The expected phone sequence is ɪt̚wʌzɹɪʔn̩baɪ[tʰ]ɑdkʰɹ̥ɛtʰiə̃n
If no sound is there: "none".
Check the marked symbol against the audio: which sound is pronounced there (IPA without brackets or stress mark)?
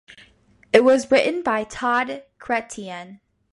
tʰ